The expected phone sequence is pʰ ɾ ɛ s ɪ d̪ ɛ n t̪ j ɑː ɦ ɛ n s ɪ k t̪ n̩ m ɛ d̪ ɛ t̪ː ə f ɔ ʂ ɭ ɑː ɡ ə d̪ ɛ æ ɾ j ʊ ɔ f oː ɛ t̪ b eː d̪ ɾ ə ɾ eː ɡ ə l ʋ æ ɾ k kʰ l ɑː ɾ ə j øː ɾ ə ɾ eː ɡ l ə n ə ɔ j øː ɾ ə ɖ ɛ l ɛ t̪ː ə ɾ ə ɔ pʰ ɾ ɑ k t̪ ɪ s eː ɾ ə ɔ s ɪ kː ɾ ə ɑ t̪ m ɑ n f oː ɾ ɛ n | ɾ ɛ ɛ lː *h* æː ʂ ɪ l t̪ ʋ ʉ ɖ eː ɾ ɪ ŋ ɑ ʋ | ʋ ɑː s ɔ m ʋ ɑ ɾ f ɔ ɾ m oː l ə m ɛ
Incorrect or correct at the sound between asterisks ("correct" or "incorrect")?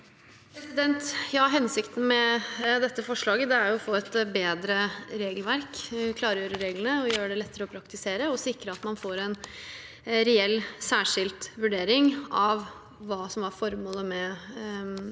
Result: incorrect